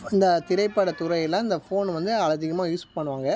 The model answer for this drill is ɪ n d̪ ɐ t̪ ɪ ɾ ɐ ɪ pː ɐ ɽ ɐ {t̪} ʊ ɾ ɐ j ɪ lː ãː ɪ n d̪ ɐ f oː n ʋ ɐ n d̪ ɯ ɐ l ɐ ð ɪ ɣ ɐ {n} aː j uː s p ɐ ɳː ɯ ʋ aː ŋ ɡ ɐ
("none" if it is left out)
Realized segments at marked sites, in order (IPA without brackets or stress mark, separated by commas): t̪, m